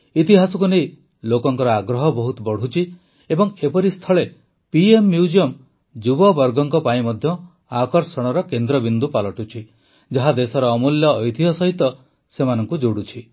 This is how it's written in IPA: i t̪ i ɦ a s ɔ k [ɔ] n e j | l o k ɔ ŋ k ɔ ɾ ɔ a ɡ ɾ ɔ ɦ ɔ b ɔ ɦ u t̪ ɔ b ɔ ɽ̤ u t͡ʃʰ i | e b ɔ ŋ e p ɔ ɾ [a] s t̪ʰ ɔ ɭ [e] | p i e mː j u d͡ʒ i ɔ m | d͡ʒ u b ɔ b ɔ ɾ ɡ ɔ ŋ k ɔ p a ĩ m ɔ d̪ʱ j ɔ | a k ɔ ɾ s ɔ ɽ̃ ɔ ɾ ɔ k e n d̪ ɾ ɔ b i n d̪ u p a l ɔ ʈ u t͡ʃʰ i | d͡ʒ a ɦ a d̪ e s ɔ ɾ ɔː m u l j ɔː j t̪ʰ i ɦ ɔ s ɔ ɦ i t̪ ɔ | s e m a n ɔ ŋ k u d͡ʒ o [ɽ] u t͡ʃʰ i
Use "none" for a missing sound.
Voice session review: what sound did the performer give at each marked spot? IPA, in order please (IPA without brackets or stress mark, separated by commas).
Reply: u, i, e, ɽ